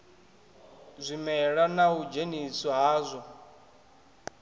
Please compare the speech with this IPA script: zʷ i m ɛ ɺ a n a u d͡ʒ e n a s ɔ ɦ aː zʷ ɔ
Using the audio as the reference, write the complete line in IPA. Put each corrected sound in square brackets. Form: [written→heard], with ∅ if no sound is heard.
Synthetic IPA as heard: zʷ i m ɛ ɺ a n a u d͡ʒ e n [a→i] s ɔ ɦ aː zʷ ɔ